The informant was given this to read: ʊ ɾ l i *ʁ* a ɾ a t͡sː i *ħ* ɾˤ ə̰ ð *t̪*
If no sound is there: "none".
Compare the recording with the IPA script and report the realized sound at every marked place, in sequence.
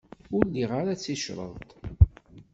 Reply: ʁ, ʃ, t̪

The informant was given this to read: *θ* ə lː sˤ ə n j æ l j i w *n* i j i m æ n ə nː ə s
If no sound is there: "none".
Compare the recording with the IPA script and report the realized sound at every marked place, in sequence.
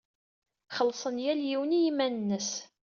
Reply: χ, n

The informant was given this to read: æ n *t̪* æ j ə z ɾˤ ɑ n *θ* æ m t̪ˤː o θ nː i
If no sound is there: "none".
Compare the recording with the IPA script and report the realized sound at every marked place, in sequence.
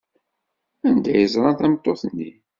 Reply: d̪, θ

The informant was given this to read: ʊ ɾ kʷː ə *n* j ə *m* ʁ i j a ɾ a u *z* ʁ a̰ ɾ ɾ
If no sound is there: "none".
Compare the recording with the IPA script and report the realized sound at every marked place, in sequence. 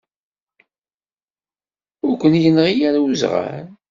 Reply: n, n, z

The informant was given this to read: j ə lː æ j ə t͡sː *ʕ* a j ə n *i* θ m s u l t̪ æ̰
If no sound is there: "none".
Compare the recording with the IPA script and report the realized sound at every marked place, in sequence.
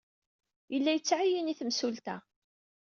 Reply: ʕ, i

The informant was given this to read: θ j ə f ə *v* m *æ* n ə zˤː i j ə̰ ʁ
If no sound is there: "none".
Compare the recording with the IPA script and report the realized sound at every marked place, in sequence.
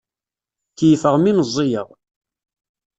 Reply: ʁ, i

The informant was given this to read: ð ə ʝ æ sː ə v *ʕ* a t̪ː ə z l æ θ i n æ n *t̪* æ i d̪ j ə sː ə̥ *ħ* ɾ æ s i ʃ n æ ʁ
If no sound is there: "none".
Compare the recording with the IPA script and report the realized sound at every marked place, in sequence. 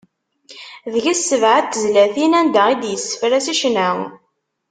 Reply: ʕ, d̪, f

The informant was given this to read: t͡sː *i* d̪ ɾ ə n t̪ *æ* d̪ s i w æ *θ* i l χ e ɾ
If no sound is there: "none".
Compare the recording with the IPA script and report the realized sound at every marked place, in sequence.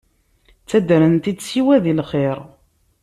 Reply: æ, i, ð

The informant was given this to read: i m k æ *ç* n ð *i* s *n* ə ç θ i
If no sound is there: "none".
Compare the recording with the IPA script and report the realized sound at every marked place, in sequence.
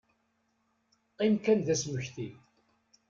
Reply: none, æ, m

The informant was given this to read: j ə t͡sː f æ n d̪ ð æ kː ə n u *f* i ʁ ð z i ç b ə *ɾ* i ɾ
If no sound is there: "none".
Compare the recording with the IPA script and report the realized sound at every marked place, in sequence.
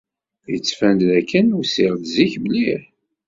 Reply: s, l

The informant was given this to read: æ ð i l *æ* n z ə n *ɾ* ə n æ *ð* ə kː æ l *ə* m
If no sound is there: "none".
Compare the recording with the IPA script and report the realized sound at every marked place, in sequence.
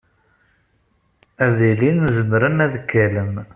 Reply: i, ɾ, ð, ə

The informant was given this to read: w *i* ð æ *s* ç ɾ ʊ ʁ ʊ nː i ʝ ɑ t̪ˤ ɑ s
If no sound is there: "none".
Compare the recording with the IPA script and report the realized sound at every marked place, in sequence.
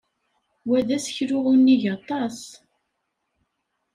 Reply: æ, s

